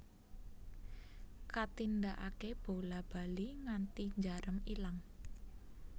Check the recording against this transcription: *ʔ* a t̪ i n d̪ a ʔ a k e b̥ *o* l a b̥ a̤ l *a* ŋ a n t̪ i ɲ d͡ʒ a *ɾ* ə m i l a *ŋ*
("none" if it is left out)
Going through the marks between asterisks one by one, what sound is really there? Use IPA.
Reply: k, o, i, ɾ, ŋ

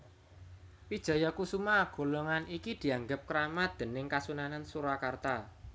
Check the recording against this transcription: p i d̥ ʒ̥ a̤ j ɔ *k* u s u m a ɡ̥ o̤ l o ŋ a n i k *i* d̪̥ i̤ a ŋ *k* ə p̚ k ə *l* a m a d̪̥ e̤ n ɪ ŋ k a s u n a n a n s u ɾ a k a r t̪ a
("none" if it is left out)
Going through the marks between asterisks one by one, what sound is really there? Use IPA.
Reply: k, i, ɡ, ɾ

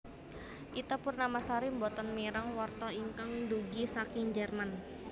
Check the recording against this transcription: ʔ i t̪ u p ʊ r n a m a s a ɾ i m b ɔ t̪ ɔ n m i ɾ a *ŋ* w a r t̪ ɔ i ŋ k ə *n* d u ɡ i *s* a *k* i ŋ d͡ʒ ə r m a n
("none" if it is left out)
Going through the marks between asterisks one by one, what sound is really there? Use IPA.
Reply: ŋ, ŋ, s, k

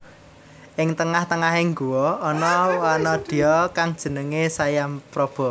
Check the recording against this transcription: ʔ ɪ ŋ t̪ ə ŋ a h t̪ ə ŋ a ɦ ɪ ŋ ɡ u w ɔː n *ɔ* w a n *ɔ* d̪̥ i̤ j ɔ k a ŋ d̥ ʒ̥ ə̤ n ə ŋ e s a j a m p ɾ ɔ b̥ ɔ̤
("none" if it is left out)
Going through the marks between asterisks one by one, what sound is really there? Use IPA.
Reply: ɔ, ɔ

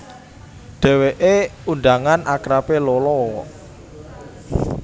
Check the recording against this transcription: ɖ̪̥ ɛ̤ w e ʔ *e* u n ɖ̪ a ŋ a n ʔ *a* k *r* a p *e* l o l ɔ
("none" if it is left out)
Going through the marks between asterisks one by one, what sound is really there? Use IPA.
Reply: e, a, ɾ, e

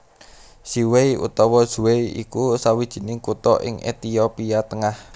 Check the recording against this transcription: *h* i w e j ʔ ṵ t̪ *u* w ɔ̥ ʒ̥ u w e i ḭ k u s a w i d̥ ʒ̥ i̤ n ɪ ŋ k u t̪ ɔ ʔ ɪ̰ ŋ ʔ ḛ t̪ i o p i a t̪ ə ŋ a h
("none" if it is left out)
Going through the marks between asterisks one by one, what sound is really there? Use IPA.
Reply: s, ɔ

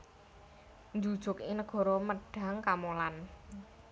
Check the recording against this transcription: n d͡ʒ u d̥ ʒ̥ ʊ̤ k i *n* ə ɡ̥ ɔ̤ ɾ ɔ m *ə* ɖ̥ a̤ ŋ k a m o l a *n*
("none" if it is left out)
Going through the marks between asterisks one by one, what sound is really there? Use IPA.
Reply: n, ə, n

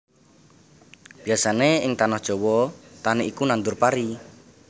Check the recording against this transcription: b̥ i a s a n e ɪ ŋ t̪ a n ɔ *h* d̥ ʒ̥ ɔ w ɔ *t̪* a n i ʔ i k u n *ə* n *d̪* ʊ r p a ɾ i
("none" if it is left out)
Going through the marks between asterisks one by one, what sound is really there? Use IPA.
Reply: h, t̪, a, d̪

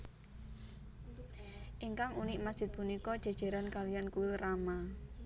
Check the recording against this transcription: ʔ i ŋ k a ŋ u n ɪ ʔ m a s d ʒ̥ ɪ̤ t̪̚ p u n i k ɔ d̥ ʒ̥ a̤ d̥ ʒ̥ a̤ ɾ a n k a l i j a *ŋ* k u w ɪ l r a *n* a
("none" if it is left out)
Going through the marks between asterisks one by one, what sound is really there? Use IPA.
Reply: n, m

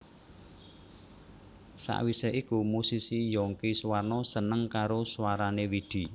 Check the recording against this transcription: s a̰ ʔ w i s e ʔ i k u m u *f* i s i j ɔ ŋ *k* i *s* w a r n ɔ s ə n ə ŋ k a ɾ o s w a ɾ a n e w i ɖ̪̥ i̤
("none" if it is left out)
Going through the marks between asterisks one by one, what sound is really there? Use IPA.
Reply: s, k, s

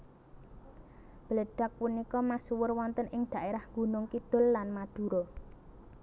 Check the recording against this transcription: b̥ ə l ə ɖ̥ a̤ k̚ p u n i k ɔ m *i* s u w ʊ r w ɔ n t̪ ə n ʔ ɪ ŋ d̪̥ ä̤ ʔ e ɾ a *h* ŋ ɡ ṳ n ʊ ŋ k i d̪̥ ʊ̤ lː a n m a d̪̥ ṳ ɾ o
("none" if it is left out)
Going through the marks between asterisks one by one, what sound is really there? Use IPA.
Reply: a, h

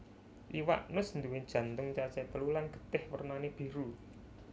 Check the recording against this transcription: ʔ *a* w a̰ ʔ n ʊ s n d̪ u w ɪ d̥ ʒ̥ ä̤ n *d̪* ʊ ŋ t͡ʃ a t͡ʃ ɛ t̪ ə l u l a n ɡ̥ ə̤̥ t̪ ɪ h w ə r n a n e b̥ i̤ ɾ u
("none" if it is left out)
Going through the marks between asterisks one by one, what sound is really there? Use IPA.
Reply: i, t̪

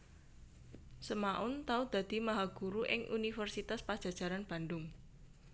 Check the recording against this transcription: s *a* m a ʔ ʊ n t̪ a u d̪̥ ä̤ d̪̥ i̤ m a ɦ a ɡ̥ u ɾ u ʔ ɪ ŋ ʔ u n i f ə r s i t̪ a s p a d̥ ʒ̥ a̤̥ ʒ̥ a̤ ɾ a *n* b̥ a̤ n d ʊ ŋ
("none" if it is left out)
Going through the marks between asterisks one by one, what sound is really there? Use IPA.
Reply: ə, n

